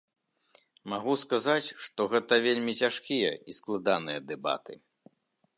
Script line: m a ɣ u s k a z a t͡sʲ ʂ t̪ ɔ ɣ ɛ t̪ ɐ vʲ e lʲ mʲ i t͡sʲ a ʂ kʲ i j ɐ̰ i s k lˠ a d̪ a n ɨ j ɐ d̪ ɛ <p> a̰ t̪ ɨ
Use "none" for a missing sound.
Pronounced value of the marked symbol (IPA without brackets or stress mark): b